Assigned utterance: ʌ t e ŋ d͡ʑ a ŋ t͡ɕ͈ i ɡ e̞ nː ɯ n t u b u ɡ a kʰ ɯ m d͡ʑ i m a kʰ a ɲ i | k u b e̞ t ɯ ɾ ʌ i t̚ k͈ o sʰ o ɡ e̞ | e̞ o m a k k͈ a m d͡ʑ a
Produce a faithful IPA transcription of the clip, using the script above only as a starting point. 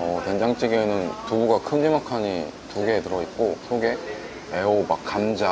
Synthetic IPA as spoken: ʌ t e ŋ d͡ʑ a ŋ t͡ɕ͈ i ɡ e̞ n ɯ n t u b u ɡ a kʰ ɯ n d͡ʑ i m a kʰ a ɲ i | t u ɡ e̞ t ɯ ɾ ʌ i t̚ k͈ o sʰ o ɡ e̞ | e̞ o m a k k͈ a m d͡ʑ a